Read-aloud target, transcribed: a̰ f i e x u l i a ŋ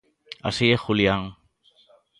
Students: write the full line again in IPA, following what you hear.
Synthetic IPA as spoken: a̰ s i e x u l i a ŋ